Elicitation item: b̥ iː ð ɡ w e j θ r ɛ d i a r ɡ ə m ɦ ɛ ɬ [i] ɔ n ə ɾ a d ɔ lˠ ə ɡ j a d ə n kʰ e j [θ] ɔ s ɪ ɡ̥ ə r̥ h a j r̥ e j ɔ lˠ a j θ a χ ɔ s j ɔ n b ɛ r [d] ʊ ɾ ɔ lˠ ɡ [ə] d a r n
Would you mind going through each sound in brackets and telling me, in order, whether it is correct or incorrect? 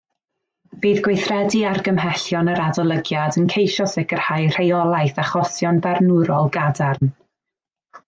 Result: incorrect, incorrect, incorrect, incorrect

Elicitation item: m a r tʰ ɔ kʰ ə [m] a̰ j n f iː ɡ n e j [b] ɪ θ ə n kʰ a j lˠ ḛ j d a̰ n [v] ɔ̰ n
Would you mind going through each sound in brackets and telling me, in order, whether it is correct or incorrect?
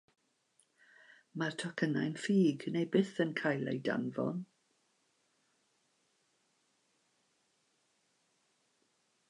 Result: incorrect, correct, correct

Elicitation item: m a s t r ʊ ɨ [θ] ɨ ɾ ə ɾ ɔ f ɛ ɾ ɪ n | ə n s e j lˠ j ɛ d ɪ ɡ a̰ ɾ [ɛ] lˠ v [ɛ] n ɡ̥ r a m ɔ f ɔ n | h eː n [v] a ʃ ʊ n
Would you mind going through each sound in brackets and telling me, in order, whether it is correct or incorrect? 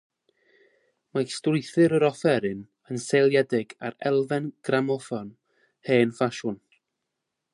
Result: correct, correct, correct, incorrect

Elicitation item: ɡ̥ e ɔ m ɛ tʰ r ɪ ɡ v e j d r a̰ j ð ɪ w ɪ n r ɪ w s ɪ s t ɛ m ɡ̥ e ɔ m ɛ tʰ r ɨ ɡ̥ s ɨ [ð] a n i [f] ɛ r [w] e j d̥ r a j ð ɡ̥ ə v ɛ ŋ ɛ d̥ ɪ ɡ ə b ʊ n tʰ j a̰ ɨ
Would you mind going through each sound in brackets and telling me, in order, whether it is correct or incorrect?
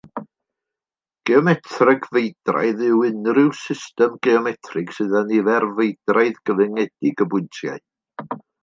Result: correct, incorrect, incorrect

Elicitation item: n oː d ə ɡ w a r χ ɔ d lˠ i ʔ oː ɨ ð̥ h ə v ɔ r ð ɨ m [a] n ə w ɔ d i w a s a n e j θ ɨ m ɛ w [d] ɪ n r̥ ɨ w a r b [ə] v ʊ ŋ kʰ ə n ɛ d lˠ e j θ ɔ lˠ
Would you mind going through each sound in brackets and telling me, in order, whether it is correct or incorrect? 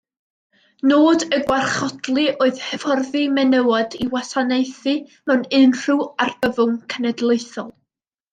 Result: incorrect, incorrect, correct

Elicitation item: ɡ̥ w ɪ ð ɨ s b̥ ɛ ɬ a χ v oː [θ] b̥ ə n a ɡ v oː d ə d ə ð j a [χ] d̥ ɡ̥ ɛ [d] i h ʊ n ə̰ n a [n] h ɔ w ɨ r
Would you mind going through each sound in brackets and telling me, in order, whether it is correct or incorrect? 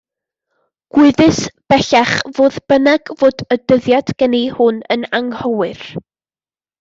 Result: incorrect, incorrect, incorrect, incorrect

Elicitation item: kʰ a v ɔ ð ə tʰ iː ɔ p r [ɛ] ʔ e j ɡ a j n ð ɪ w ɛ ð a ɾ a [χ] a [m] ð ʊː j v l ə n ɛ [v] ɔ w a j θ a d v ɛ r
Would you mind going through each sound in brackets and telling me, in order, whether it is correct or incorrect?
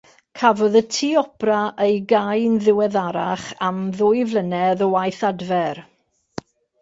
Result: incorrect, correct, correct, incorrect

